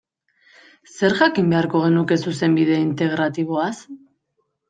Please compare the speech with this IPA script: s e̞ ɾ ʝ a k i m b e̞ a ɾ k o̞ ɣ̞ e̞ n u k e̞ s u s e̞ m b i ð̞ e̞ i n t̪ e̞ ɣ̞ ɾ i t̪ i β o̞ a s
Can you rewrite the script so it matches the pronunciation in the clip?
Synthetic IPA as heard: s e̞ ɾ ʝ a k i m b e̞ a ɾ k o̞ ɣ̞ e̞ n u k e̞ s u s e̞ m b i ð̞ e̞ i n t̪ e̞ ɣ̞ ɾ a t̪ i β o̞ a s